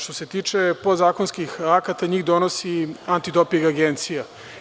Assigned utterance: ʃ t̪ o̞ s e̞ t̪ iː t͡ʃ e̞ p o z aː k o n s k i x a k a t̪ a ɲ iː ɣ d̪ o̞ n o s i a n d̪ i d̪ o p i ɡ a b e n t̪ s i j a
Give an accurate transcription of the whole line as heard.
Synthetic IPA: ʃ t̪ o̞ s e̞ t̪ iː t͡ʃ e̞ p o z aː k o n s k i x a k a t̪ a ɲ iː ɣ d̪ o̞ n o s i a n t̪ i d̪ o p i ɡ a ɡ e n t̪ s i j a